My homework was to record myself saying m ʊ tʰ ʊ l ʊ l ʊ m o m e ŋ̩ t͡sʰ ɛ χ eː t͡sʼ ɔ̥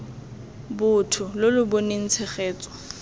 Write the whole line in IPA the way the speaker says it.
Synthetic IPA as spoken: b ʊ tʰ ʊ l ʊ l ʊ b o n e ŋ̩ t͡sʰ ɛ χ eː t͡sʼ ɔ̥